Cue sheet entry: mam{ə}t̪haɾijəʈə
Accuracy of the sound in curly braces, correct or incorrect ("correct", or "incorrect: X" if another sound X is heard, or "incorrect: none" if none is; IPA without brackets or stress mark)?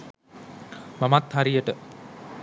incorrect: a